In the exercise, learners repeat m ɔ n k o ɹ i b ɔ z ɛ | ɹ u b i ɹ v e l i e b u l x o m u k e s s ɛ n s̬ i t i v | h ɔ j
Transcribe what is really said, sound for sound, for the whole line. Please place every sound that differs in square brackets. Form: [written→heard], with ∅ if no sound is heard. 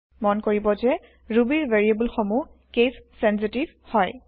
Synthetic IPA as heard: m ɔ n k o ɹ i b ɔ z ɛ | ɹ u b i ɹ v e [l→ɹ] i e b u l x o m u k e s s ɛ n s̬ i t i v | h ɔ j

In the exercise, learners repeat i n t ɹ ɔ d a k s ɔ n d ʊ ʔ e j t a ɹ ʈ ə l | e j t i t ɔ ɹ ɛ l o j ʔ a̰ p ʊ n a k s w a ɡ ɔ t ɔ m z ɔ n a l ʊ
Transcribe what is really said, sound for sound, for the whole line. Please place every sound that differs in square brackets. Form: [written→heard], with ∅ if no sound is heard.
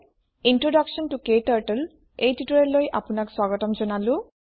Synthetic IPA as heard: i n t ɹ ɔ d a k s ɔ n [d→t] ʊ [ʔ→k] e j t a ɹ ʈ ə l | e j t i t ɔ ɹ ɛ l o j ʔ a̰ p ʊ n a k s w a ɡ ɔ t ɔ m z ɔ n a l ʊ

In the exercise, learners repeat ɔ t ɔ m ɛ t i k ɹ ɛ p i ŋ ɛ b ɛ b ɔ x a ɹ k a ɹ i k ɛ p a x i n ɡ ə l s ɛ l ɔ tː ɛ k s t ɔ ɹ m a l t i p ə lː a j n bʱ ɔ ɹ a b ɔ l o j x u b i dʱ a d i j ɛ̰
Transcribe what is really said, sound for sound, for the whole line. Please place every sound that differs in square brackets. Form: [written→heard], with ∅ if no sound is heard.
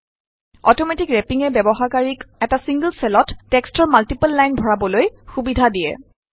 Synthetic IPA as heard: ɔ t ɔ m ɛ t i k ɹ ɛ p i ŋ ɛ b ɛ b ɔ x a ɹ k a ɹ i k ɛ [p→t] a [x→s] i [n→ŋ] ɡ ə l s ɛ l ɔ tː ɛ k s t ɔ ɹ m a l t i p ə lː a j n bʱ ɔ ɹ a b ɔ l o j x u b i dʱ a d i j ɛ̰

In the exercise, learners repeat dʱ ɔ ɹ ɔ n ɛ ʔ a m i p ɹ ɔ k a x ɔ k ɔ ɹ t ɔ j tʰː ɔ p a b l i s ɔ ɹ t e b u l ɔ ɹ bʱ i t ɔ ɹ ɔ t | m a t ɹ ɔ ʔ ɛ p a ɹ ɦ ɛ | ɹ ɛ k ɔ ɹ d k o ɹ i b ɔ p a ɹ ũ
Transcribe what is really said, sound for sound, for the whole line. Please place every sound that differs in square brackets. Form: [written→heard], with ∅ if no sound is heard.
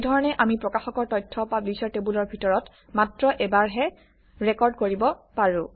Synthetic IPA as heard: dʱ ɔ ɹ ɔ n ɛ ʔ a m i p ɹ ɔ k a x ɔ k ɔ ɹ t ɔ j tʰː ɔ p a b l i s ɔ ɹ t e b u l ɔ ɹ bʱ i t ɔ ɹ ɔ t | m a t ɹ ɔ ʔ ɛ [p→b] a ɹ ɦ ɛ | ɹ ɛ k ɔ ɹ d k o ɹ i b ɔ p a ɹ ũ

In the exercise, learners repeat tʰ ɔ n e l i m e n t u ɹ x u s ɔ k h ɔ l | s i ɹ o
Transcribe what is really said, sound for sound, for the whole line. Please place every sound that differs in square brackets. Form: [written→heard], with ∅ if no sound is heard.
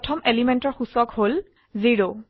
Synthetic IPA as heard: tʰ ɔ [n→m] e l i m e n t [u→ɔ] ɹ x u s ɔ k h [ɔ→o] l | [s→z] i ɹ o

